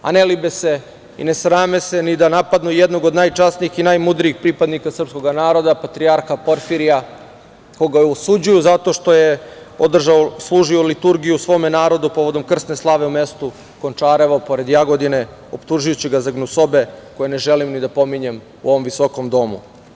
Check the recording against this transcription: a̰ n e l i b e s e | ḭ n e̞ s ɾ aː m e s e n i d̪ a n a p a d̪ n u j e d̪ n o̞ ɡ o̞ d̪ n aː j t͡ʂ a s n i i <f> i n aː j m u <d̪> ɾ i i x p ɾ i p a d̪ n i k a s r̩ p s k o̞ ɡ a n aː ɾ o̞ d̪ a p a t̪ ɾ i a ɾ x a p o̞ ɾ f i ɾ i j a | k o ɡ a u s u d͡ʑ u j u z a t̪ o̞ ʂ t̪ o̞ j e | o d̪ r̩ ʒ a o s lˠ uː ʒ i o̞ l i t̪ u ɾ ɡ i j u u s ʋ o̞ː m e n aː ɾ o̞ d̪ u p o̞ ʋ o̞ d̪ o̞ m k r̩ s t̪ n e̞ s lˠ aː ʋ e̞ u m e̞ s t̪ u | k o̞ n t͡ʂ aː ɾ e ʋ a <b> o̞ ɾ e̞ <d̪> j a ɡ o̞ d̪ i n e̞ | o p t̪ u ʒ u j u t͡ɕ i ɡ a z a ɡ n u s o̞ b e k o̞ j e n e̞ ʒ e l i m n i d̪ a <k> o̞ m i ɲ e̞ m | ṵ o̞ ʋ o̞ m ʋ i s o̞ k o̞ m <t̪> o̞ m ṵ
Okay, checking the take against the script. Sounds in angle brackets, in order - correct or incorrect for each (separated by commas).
incorrect, correct, incorrect, correct, incorrect, incorrect